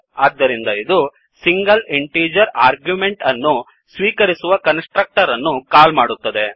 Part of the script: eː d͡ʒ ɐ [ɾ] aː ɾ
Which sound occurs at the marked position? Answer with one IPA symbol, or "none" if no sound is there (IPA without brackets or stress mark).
ɾ